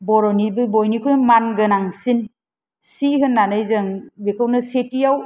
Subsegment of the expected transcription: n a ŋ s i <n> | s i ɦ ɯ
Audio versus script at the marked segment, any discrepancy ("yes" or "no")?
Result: no